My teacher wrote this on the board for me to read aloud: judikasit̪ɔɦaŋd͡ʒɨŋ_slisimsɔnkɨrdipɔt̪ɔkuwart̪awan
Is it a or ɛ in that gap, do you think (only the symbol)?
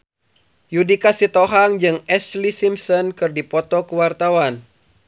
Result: ɛ